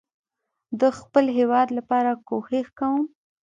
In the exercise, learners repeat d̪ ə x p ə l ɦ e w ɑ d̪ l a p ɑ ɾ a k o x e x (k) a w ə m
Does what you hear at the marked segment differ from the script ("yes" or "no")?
no